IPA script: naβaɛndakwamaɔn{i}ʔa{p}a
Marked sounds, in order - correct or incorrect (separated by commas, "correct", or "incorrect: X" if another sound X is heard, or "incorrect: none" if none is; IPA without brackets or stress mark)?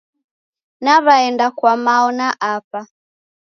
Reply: incorrect: a, correct